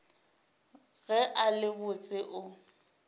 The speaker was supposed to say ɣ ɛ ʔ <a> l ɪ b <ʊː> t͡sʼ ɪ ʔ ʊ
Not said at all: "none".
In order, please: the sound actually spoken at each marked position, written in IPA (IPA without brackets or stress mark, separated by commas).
a, ʊ